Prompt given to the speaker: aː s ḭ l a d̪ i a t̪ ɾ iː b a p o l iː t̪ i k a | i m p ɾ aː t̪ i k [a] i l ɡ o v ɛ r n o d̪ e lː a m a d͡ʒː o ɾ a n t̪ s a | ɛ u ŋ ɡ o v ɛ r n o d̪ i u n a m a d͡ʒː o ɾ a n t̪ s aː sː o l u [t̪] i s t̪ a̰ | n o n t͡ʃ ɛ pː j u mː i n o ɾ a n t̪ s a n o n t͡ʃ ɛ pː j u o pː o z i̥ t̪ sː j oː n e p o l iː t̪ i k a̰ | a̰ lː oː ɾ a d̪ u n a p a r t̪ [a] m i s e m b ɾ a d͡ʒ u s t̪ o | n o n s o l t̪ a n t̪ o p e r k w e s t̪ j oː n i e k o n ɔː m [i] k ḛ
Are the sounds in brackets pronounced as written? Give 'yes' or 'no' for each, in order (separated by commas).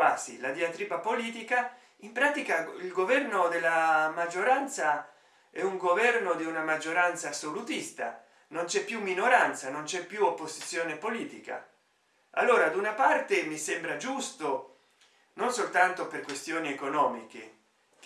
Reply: yes, yes, no, yes